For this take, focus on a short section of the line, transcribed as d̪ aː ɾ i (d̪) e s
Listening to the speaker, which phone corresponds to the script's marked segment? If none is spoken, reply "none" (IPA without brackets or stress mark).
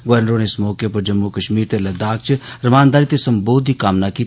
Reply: t̪